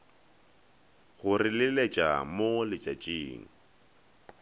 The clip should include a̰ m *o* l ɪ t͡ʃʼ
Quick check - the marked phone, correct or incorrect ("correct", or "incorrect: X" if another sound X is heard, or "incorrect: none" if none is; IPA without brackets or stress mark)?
correct